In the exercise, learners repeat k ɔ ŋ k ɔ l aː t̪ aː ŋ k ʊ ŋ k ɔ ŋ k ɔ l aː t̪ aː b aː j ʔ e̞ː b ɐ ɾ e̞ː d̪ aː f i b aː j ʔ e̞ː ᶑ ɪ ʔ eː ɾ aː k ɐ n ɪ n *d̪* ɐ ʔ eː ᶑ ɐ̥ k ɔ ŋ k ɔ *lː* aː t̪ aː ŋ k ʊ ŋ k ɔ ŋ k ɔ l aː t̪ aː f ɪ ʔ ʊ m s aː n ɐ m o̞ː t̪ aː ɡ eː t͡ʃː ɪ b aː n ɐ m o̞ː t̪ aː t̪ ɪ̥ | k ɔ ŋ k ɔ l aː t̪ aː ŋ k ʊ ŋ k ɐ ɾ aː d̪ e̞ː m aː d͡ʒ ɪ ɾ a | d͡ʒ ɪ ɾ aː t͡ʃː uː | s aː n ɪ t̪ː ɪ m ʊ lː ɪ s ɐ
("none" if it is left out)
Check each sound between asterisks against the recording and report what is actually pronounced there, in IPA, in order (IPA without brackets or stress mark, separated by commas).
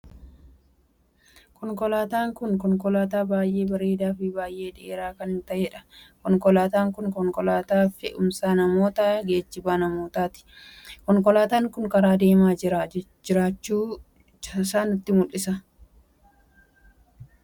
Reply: t̪, l